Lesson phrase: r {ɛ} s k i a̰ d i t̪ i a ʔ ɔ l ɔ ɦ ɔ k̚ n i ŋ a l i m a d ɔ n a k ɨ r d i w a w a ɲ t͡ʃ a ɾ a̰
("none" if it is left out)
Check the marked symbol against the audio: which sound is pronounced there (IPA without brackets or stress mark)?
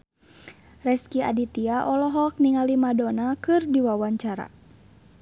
ɛ